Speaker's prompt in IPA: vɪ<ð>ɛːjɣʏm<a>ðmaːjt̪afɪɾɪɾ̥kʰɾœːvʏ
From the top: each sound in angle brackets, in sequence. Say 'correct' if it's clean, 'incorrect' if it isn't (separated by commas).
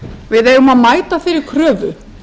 correct, correct